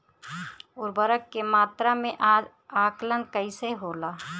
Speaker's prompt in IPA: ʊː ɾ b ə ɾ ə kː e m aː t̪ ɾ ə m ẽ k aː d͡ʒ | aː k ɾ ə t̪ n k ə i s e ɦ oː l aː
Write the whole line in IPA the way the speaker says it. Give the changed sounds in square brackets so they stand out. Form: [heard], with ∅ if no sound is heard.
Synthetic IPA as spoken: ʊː ɾ b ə ɾ ə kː e m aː t̪ ɾ [a] m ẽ [ʔ] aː d͡ʒ | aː k [l] ə [∅] n k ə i s e ɦ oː l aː